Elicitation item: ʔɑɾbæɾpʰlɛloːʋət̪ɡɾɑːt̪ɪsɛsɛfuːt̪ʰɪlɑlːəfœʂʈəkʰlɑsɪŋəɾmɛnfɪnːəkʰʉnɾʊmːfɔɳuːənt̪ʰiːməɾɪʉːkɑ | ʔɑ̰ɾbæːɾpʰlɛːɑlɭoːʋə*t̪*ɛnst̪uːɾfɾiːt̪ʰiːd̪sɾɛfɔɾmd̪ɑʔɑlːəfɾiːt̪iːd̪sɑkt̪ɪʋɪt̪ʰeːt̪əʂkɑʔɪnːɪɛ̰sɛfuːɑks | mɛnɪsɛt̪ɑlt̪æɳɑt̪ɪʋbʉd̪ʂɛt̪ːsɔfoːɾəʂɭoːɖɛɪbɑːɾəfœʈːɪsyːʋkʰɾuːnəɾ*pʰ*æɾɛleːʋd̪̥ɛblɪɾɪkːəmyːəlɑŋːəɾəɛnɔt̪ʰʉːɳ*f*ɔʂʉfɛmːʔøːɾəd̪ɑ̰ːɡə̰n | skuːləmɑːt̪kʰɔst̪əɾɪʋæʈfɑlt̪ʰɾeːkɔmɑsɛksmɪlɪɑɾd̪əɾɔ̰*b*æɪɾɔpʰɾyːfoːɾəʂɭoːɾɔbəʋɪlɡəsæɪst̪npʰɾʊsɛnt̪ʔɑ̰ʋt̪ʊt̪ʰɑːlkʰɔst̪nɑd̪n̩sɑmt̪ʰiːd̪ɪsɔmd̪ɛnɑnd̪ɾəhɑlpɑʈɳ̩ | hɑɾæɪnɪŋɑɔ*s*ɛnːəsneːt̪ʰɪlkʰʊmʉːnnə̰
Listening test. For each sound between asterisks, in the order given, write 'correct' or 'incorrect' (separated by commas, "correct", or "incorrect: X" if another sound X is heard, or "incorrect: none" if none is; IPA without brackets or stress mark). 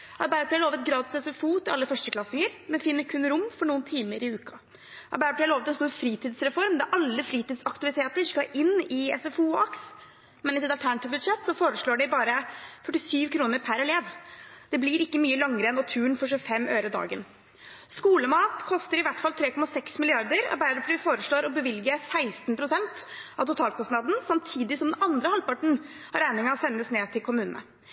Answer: correct, correct, correct, correct, correct